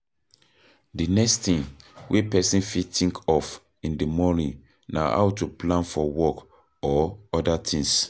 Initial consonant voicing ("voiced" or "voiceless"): voiced